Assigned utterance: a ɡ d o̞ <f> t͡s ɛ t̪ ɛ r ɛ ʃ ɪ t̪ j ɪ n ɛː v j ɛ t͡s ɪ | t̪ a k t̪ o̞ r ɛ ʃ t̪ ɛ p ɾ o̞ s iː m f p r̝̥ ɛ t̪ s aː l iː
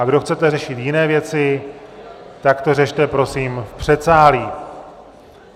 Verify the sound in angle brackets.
incorrect: x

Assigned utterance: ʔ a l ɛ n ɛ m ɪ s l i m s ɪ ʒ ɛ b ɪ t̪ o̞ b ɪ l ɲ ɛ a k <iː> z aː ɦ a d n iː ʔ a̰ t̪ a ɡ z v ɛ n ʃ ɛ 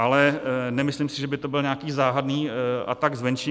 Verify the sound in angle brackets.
correct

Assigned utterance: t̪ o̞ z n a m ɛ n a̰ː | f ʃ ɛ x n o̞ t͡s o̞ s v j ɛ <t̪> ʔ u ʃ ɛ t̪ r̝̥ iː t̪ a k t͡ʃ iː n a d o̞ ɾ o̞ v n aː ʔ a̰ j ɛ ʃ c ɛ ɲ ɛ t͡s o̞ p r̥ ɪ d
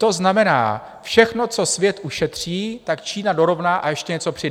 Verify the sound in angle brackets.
correct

